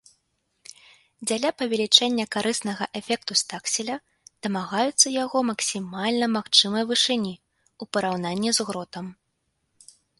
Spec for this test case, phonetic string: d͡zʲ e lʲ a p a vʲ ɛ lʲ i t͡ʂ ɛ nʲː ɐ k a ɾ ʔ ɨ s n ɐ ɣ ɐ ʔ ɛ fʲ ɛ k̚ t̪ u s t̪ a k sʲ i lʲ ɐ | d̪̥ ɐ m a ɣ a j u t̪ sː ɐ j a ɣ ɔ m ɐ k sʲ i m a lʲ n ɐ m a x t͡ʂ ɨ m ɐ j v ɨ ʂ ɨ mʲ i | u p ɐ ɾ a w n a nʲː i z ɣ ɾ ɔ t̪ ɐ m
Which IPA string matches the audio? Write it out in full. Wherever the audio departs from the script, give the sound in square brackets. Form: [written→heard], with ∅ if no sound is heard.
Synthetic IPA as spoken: d͡zʲ [e→a] lʲ a p [a→ɐ] vʲ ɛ lʲ i t͡ʂ ɛ nʲː ɐ k a ɾ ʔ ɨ s n ɐ ɣ ɐ ʔ ɛ fʲ ɛ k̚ t̪ u s t̪ a k sʲ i lʲ ɐ | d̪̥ ɐ m a ɣ a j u t̪ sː ɐ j a ɣ ɔ m ɐ k sʲ i m a lʲ n ɐ m a x t͡ʂ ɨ m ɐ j v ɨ ʂ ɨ [mʲ→nʲ] i | u p ɐ ɾ a w n a nʲː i z ɣ ɾ ɔ t̪ ɐ m